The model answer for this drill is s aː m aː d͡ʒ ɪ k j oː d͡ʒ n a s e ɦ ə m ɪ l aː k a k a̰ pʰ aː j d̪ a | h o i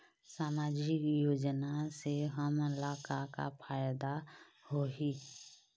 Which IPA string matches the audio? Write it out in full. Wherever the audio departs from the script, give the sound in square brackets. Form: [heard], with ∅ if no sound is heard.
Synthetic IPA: s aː m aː d͡ʒ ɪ k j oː d͡ʒ n a s e ɦ ə m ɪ l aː k a k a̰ pʰ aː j d̪ a | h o i

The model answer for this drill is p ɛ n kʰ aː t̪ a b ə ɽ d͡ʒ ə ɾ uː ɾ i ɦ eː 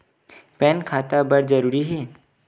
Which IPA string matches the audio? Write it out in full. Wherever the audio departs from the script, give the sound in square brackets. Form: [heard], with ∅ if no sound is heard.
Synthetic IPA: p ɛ n kʰ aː t̪ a b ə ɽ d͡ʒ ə ɾ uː ɾ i ɦ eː

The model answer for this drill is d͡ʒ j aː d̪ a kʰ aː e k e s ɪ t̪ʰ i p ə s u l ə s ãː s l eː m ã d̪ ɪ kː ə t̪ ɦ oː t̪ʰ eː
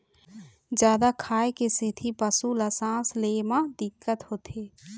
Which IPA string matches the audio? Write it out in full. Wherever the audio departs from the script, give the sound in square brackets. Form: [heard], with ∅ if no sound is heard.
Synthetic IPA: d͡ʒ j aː d̪ a kʰ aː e k e s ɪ t̪ʰ i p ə s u l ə s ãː s l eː m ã d̪ ɪ kː ə t̪ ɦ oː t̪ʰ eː

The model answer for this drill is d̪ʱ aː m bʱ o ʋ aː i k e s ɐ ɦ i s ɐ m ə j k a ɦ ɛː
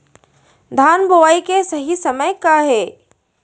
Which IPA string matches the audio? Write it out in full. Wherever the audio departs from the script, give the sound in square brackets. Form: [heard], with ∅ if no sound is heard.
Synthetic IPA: d̪ʱ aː [n] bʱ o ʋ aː i k e s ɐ ɦ i s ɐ m ə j k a ɦ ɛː

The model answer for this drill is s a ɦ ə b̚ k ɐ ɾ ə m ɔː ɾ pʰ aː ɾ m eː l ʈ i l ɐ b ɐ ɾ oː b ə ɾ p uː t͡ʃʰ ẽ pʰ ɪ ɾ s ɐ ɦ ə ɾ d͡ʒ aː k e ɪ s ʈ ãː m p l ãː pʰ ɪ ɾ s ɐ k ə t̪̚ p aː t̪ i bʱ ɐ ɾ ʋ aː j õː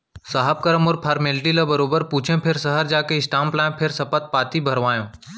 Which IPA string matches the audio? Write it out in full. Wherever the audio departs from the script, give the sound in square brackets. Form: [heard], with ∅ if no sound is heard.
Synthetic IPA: s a ɦ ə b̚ k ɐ ɾ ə m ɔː ɾ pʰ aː ɾ m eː l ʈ i l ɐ b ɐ ɾ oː b ə ɾ p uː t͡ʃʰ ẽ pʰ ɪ ɾ s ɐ ɦ ə ɾ d͡ʒ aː k e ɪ s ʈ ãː m p l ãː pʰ ɪ ɾ s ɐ [p] ə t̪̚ p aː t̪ i bʱ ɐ ɾ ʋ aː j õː

